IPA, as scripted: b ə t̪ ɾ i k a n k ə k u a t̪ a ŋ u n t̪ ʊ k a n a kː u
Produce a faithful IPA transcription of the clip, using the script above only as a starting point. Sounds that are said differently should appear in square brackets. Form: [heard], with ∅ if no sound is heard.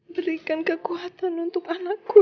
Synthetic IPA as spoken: b ə [∅] ɾ i k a n k ə k u a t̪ a [n] u n t̪ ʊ k a n a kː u